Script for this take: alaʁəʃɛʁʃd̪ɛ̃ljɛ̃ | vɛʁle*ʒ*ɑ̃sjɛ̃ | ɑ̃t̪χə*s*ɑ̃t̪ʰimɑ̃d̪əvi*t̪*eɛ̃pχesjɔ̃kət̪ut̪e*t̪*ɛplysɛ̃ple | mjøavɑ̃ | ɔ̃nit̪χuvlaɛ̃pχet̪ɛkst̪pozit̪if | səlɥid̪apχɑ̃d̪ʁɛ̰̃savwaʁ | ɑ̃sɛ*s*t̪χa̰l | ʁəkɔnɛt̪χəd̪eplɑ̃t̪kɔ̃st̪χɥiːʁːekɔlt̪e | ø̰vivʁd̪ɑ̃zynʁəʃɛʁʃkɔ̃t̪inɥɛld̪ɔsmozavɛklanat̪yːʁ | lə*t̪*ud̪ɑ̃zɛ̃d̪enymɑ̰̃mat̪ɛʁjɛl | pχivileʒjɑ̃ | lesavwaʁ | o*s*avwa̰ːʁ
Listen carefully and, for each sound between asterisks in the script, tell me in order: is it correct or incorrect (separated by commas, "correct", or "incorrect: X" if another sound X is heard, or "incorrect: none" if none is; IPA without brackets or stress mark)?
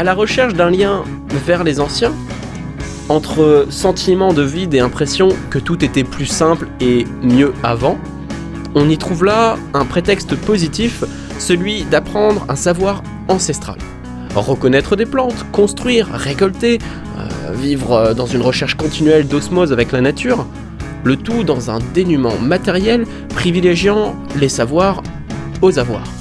incorrect: z, correct, incorrect: d̪, correct, correct, correct, incorrect: z